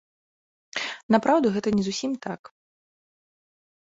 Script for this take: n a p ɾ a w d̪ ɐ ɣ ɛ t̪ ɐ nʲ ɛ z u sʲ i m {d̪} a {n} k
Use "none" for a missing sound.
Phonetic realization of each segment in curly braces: t̪, none

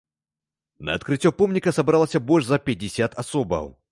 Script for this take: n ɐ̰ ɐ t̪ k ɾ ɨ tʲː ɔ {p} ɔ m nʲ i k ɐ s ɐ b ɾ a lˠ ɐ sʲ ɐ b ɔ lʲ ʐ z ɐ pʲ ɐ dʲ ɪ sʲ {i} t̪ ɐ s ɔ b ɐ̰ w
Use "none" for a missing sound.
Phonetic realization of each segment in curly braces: p, a

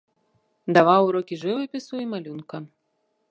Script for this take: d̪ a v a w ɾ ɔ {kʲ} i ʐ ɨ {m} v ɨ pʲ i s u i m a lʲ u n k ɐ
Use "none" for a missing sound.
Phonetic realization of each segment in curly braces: kʲ, none

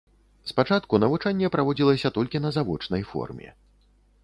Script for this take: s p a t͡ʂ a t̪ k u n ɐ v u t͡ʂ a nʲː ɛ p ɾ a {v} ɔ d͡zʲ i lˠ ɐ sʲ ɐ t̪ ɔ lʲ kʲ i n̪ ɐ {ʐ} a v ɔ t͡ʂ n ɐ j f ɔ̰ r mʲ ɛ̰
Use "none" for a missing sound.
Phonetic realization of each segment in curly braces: v, z

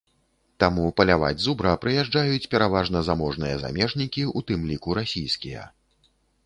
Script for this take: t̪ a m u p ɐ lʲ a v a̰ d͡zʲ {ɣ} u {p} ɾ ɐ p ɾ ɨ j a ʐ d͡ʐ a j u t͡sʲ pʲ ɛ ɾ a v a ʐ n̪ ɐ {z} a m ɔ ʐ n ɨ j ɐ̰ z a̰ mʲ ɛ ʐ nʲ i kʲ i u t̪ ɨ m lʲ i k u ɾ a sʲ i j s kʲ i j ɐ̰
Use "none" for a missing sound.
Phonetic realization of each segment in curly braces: z, b, z

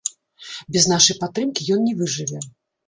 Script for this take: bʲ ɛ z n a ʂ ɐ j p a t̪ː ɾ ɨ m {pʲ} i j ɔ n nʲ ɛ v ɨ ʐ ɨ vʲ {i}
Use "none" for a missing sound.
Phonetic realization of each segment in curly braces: kʲ, ɛ

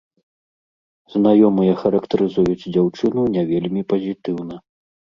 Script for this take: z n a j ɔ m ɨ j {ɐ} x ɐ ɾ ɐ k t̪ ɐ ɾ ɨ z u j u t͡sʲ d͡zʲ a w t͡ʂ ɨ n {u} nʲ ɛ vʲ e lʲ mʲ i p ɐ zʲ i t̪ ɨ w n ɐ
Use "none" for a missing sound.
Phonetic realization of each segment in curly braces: ɐ, u

